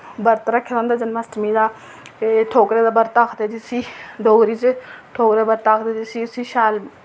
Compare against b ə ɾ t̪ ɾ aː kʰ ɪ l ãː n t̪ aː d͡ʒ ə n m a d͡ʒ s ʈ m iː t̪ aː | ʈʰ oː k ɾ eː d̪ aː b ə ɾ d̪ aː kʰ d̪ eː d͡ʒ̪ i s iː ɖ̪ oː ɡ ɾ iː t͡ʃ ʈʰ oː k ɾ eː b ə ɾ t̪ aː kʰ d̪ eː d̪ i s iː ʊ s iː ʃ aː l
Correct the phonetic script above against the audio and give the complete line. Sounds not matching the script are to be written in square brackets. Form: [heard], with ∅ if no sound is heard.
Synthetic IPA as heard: b ə ɾ t̪ ɾ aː kʰ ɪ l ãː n [d̪] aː d͡ʒ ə n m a [∅] s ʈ m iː [d̪] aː | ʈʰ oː k ɾ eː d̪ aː b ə ɾ [t̪] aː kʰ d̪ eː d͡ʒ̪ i s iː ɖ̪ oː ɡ ɾ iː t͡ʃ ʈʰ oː k ɾ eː b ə ɾ t̪ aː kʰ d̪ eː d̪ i s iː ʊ s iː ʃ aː l

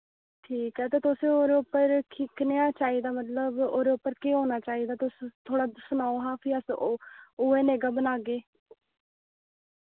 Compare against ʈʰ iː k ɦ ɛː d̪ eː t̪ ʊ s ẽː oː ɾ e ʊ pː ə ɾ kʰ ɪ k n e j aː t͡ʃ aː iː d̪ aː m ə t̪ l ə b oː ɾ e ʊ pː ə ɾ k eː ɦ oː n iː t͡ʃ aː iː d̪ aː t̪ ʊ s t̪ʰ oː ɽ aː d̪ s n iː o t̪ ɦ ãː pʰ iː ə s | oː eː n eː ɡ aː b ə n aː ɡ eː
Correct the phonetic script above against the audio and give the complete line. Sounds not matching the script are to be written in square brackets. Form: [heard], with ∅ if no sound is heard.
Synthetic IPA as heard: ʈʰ iː k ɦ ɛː [t̪] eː t̪ ʊ s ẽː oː ɾ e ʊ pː ə ɾ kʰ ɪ k n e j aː t͡ʃ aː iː d̪ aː m ə t̪ l ə b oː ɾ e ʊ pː ə ɾ k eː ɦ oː n [aː] t͡ʃ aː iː d̪ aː t̪ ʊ s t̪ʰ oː ɽ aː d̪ s n [aː] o [∅] ɦ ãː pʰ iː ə s | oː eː n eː ɡ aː b ə n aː ɡ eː

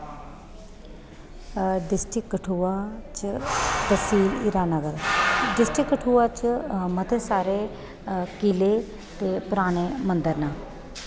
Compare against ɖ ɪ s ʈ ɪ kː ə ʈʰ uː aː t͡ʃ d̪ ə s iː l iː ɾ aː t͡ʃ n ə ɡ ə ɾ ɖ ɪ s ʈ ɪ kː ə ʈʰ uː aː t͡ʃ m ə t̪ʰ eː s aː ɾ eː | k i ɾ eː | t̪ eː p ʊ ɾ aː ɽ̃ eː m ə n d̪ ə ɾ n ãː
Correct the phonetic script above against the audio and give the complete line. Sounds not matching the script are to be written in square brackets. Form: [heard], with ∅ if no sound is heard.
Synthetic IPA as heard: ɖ ɪ s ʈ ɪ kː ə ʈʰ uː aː t͡ʃ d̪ ə s iː l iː ɾ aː [∅] n ə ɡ ə ɾ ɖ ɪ s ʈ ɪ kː ə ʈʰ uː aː t͡ʃ m ə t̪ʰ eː s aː ɾ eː | k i [l] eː | t̪ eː p ʊ ɾ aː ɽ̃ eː m ə n d̪ ə ɾ n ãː

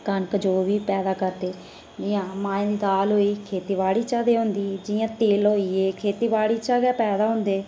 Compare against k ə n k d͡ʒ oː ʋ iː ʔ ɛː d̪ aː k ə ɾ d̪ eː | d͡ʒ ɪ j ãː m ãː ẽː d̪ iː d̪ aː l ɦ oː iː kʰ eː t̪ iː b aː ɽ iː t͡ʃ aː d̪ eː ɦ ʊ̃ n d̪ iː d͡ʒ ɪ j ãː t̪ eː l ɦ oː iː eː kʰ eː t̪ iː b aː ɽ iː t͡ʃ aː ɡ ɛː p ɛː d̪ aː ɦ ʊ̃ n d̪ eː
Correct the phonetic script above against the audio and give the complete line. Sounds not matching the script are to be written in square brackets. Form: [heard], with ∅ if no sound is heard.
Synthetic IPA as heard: k ə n k d͡ʒ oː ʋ iː [p] ɛː d̪ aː k ə ɾ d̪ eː | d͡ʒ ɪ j ãː m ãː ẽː d̪ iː d̪ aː l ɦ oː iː kʰ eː t̪ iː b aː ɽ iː t͡ʃ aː d̪ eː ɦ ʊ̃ n d̪ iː d͡ʒ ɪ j ãː t̪ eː l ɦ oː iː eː kʰ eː t̪ iː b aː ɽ iː t͡ʃ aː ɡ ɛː p ɛː d̪ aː ɦ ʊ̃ n d̪ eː

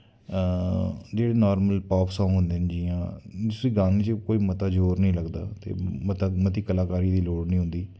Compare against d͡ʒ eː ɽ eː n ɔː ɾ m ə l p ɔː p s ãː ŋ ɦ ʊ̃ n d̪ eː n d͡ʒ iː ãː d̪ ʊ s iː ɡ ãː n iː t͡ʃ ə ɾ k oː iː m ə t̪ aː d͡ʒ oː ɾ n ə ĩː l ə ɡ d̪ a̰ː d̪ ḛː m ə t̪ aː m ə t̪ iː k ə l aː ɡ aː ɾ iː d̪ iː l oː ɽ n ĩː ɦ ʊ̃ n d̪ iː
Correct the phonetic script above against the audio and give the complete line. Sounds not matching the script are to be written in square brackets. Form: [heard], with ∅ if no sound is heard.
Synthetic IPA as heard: d͡ʒ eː ɽ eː n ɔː ɾ m ə l p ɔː p s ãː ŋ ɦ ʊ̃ n d̪ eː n d͡ʒ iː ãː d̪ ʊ s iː ɡ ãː n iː t͡ʃ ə [∅] k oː iː m ə t̪ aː d͡ʒ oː ɾ n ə ĩː l ə ɡ d̪ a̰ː [t̪] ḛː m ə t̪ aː m ə t̪ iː k ə l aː [k] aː ɾ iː d̪ iː l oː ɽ n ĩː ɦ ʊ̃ n d̪ iː

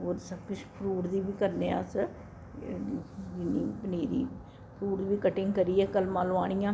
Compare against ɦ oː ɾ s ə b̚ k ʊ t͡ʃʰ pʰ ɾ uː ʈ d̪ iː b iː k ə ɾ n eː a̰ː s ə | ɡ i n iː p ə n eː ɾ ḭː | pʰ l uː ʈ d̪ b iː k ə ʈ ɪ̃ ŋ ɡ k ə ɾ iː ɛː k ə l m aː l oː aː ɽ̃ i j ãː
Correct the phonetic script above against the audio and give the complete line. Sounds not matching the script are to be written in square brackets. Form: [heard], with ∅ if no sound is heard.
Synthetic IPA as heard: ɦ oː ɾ s ə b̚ k ʊ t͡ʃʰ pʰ ɾ uː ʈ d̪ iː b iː k ə ɾ n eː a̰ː s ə | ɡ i n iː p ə n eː ɾ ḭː | pʰ [ɾ] uː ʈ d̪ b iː k ə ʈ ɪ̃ ŋ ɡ k ə ɾ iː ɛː k ə l m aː l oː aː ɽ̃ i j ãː

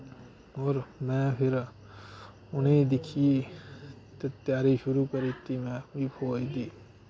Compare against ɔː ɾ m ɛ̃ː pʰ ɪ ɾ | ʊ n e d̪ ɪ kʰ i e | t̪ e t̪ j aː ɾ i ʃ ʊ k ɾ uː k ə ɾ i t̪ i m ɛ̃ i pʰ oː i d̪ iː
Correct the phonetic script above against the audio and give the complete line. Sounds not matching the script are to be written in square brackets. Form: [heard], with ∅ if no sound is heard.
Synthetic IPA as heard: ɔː ɾ m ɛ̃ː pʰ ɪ ɾ | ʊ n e d̪ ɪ kʰ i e | t̪ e t̪ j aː ɾ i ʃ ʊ [∅] ɾ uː k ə ɾ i t̪ i m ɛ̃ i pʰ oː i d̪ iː

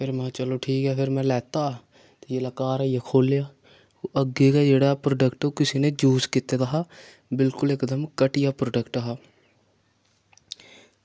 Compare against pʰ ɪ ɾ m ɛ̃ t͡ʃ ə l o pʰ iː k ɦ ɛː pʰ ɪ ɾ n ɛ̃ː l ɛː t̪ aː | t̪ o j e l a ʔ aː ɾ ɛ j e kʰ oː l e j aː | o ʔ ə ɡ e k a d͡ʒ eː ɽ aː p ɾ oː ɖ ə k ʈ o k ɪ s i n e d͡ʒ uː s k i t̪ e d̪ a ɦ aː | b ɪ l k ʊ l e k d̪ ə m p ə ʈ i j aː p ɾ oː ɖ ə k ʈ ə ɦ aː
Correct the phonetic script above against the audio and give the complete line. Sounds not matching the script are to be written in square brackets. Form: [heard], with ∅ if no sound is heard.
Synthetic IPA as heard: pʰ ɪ ɾ m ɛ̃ t͡ʃ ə l o [ʈʰ] iː k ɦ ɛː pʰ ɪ ɾ [m] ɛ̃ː l ɛː t̪ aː | t̪ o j e l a [k] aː ɾ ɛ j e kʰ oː l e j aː | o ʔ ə ɡ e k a d͡ʒ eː ɽ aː p ɾ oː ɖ ə k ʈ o k ɪ s i n e d͡ʒ uː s k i t̪ e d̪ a ɦ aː | b ɪ l k ʊ l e k d̪ ə m [k] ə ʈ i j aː p ɾ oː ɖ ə k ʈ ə ɦ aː

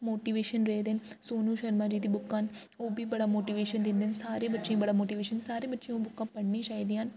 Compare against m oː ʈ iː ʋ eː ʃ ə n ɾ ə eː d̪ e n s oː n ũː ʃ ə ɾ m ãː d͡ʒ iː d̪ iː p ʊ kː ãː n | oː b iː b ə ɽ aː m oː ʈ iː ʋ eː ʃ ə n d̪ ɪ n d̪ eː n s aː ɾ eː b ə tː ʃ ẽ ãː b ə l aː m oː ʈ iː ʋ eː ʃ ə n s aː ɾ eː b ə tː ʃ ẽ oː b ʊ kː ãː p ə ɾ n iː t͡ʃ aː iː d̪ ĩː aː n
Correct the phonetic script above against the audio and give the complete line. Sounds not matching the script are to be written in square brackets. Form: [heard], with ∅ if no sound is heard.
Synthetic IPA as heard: m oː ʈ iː ʋ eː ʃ ə n ɾ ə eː d̪ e n s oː n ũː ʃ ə ɾ m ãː d͡ʒ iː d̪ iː [b] ʊ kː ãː n | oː b iː b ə ɽ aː m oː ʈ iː ʋ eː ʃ ə n d̪ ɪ n d̪ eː n s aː ɾ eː b ə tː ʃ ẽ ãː b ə [ɽ] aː m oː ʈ iː ʋ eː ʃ ə n s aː ɾ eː b ə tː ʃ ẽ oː b ʊ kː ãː p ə [ɽ] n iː t͡ʃ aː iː d̪ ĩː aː n

